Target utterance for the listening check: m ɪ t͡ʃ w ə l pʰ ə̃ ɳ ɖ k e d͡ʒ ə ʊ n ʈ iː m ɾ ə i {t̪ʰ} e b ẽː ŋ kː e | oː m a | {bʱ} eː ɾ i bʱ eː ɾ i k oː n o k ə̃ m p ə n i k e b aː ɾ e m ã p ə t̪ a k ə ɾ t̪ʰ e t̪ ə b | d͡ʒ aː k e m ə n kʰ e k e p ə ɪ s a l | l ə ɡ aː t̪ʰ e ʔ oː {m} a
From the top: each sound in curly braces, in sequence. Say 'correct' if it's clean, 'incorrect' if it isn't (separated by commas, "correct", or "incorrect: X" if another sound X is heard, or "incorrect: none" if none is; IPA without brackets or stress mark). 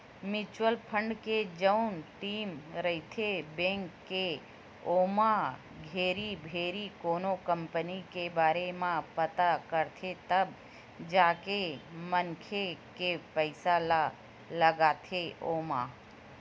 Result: correct, incorrect: ɡʱ, correct